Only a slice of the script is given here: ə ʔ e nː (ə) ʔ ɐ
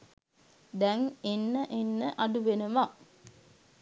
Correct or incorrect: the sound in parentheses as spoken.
correct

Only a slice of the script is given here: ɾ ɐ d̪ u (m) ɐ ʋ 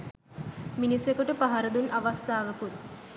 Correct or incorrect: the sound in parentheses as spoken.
incorrect: n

